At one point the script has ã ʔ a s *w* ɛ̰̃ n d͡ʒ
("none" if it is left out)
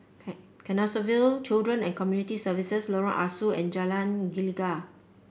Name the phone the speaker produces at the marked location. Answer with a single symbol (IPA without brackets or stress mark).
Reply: u